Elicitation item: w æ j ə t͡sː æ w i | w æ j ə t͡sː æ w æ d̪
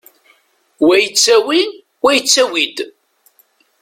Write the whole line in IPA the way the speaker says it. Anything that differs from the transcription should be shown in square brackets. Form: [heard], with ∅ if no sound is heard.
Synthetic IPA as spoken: w æ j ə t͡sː æ w i | w æ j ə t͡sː æ w [i] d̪